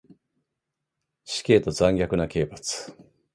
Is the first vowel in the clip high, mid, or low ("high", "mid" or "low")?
high